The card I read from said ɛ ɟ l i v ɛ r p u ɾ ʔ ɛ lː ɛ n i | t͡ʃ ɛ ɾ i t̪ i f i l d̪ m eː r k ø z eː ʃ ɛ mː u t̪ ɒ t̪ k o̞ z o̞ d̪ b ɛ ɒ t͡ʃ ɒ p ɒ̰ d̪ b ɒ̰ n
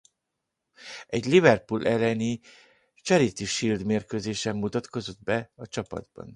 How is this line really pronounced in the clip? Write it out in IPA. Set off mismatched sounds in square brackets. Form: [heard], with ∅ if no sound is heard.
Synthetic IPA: ɛ ɟ l i v ɛ r p u [l] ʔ ɛ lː ɛ n i | t͡ʃ ɛ ɾ i t̪ i [ʃ] i l d̪ m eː r k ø z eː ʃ ɛ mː u t̪ ɒ t̪ k o̞ z o̞ d̪ b ɛ ɒ t͡ʃ ɒ p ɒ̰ d̪ b ɒ̰ n